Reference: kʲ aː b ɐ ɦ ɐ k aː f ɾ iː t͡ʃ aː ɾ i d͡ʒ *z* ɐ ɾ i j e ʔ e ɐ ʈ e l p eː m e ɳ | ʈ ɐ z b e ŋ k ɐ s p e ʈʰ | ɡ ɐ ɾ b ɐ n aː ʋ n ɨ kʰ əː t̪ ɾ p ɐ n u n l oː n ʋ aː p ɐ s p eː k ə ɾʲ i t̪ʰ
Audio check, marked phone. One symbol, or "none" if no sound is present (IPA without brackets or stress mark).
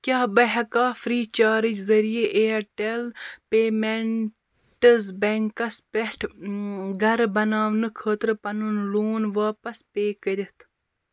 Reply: z